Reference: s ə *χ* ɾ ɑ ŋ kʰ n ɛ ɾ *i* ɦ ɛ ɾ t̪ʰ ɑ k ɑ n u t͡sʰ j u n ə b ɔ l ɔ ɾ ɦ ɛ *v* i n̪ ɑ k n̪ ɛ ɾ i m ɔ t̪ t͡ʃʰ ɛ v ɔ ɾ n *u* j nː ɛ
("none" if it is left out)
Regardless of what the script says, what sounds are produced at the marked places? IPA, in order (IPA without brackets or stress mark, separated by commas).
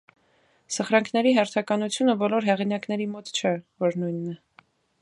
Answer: χ, i, ʁ, u